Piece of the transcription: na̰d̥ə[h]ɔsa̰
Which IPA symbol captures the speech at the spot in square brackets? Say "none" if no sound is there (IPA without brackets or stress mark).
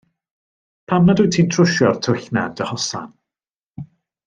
h